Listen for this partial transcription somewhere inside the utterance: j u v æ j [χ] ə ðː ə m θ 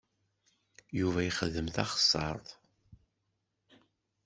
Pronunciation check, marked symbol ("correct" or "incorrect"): correct